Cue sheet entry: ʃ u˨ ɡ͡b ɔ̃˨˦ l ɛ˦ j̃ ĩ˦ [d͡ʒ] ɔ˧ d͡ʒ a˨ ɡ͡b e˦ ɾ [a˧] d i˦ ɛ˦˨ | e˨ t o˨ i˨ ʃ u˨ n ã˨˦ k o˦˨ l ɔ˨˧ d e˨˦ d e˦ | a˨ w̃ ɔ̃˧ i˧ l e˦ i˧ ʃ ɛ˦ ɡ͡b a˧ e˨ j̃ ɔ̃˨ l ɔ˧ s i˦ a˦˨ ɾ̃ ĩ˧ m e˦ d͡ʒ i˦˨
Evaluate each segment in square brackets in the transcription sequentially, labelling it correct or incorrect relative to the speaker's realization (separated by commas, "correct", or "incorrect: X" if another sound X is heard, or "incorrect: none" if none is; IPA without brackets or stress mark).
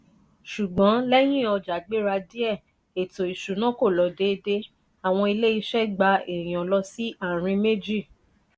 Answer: incorrect: none, correct